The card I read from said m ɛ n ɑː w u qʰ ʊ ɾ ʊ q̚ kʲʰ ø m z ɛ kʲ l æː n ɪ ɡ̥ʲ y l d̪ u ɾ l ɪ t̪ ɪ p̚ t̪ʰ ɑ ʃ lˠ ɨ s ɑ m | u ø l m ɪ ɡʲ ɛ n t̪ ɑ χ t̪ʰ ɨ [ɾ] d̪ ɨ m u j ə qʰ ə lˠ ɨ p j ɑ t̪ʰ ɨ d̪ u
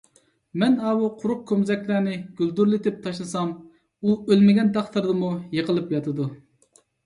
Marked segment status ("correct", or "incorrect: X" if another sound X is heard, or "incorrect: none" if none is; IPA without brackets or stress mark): correct